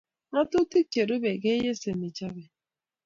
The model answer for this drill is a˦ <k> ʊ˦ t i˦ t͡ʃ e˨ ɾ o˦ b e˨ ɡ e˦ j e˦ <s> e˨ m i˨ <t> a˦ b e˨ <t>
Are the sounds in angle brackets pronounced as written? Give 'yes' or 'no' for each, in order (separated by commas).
no, yes, no, no